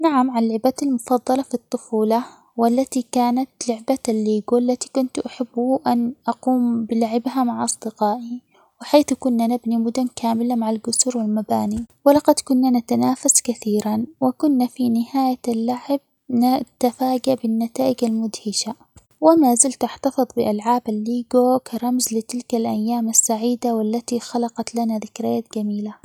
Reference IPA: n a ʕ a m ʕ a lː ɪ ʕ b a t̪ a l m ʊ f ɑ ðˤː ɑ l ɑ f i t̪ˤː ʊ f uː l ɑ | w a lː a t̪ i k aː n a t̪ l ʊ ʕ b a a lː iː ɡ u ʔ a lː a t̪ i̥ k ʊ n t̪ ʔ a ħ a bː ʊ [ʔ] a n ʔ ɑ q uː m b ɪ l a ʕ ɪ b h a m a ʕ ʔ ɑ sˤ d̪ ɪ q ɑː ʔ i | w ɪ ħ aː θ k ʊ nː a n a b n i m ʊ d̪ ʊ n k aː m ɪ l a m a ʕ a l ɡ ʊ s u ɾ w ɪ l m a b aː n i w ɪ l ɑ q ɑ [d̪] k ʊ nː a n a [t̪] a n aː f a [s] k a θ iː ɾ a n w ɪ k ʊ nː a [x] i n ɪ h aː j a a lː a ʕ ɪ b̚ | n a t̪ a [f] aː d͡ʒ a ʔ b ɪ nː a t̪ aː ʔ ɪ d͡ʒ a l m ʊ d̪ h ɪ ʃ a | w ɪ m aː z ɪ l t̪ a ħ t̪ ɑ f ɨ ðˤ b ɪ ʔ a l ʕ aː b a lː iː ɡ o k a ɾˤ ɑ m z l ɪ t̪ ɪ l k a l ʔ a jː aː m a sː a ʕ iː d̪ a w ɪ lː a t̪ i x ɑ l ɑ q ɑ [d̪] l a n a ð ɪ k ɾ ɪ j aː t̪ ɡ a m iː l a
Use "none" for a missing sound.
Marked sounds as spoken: ʔ, d̪, t̪, s, f, f, t̪

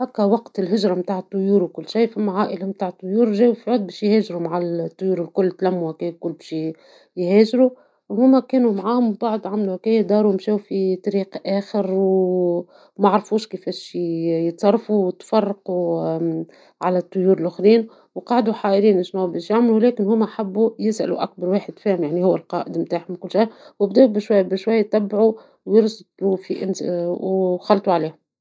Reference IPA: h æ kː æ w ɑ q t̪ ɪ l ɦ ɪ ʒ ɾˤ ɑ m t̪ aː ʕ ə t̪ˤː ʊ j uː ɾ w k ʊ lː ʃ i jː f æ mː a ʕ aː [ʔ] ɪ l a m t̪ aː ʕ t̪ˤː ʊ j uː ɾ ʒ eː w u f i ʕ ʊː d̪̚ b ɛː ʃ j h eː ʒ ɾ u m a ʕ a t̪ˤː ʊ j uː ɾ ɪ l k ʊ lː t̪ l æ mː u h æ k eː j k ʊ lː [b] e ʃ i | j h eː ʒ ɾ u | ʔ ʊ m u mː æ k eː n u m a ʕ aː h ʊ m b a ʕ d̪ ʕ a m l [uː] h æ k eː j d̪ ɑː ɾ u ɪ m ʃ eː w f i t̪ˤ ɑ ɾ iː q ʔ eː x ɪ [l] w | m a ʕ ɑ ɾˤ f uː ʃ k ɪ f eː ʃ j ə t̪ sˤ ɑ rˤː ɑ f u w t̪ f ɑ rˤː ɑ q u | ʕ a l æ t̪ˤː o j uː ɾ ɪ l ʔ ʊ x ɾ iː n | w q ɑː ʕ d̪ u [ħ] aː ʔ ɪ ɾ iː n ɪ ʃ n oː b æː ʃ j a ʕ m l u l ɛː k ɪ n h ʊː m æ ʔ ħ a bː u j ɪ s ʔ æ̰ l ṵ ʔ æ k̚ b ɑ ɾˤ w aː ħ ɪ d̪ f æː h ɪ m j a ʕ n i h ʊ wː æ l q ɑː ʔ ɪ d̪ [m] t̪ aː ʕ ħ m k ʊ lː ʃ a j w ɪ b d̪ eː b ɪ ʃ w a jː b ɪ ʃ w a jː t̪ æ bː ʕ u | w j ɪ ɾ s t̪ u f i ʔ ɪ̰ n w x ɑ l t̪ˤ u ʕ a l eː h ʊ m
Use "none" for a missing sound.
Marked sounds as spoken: ʔ, b, u, ɾ, ħ, m

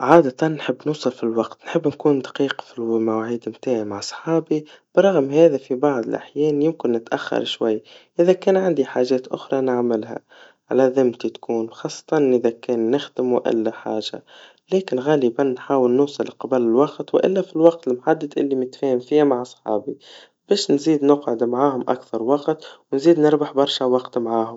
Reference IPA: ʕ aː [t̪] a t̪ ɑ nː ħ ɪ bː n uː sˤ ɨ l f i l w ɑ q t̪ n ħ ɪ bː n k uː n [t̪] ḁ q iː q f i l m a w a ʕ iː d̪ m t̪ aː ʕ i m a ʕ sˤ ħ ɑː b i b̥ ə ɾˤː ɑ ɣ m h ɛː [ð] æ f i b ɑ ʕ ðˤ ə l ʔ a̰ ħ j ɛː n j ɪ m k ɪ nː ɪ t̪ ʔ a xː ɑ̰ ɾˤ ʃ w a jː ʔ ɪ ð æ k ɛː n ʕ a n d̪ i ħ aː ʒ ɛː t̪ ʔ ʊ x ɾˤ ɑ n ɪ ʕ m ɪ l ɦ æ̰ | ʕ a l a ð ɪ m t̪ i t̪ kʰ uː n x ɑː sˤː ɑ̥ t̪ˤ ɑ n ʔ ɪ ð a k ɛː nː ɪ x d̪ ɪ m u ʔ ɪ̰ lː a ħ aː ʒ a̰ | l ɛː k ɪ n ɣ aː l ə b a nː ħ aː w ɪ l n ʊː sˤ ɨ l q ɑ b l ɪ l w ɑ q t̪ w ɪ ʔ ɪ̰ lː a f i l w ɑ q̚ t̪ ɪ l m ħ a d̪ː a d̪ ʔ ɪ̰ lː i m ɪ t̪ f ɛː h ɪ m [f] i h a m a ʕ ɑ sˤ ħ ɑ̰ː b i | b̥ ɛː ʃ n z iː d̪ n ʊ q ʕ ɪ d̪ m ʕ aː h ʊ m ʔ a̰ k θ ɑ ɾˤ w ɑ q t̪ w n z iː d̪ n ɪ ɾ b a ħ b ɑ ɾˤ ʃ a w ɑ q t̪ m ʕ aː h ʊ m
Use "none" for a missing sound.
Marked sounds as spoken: d̪, d̪, ð, f

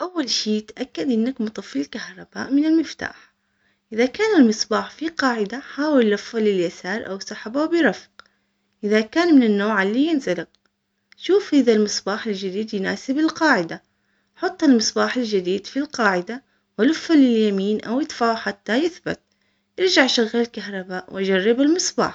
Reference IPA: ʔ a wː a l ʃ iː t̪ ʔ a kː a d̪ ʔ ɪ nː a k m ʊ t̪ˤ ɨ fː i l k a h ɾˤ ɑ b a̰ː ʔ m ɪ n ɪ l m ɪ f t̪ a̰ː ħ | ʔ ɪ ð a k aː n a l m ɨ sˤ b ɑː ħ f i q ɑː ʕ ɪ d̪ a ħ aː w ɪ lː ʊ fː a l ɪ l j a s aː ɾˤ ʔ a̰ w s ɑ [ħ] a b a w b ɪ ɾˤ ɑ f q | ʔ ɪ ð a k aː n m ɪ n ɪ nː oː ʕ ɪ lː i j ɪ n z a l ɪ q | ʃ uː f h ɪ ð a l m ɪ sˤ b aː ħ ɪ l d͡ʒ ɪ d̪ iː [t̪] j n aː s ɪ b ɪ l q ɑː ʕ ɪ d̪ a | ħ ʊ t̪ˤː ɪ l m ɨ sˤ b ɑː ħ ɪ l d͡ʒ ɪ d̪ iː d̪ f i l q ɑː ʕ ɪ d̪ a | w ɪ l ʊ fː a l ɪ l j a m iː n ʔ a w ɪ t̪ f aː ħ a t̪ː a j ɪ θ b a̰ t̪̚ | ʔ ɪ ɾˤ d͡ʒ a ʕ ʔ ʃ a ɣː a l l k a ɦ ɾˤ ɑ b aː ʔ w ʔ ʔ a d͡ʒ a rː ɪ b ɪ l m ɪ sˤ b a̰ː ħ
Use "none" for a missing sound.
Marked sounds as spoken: ħ, d̪

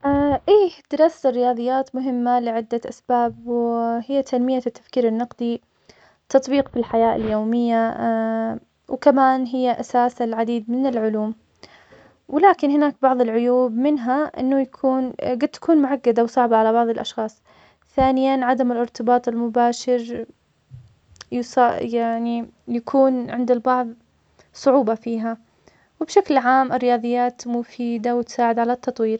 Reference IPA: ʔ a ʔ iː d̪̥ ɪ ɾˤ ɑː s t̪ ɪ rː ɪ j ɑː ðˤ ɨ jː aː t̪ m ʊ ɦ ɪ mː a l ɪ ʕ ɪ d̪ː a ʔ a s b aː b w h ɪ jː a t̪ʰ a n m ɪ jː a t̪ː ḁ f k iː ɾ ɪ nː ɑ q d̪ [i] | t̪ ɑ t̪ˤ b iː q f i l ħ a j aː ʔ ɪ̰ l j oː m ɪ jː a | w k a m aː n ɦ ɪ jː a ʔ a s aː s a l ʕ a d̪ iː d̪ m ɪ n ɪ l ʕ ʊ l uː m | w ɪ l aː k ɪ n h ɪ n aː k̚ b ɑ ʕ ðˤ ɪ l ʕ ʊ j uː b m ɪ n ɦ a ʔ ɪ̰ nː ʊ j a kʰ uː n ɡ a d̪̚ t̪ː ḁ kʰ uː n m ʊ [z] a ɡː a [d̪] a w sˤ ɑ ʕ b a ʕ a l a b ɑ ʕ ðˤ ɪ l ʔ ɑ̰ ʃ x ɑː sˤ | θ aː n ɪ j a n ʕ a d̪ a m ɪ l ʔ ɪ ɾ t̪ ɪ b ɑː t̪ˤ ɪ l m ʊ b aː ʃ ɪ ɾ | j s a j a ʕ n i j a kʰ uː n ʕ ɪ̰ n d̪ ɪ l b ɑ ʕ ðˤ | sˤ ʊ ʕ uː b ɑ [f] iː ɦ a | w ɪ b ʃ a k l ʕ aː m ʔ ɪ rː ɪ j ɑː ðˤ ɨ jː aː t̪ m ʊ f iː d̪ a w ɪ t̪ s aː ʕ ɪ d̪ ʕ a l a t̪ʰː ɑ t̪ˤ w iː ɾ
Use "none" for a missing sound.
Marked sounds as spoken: i, ʕ, d̪, f

